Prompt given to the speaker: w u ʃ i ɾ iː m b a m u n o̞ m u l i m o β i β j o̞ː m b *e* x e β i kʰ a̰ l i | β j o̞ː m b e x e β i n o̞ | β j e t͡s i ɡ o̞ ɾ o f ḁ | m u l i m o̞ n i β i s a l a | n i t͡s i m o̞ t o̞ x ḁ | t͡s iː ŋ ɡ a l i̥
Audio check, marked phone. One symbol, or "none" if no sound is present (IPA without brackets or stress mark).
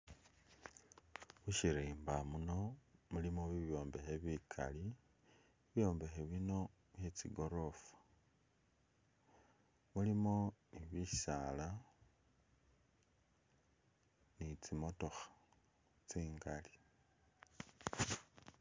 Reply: e